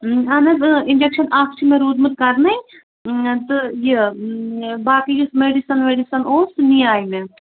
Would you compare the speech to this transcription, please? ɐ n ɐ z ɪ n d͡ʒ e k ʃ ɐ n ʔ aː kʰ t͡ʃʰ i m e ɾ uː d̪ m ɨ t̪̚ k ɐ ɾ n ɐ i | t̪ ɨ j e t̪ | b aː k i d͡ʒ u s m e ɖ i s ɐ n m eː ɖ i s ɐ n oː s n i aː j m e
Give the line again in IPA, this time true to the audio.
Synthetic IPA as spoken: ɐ n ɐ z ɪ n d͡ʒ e k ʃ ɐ n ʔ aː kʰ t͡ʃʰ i m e ɾ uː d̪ m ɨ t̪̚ k ɐ ɾ n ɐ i | t̪ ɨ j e | b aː k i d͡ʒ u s m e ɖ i s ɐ n m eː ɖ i s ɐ n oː s n i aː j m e